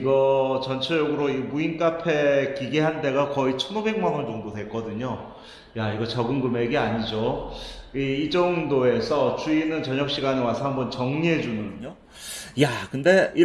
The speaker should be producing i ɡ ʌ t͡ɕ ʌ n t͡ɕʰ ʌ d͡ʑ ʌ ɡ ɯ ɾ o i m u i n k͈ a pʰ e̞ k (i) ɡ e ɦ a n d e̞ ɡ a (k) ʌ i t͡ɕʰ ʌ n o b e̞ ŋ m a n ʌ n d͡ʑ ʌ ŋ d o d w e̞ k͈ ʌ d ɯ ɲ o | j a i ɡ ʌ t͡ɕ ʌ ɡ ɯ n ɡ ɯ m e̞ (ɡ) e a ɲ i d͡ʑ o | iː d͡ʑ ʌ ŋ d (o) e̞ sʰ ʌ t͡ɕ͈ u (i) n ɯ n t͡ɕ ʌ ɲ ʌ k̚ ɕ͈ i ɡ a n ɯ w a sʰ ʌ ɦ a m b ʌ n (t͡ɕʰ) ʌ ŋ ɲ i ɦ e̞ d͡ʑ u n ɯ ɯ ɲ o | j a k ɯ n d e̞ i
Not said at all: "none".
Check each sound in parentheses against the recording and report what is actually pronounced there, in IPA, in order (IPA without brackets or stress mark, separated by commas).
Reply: i, k, ɡ, o, i, t͡ɕ